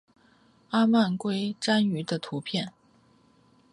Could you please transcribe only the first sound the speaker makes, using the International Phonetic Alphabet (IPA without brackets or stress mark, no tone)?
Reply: a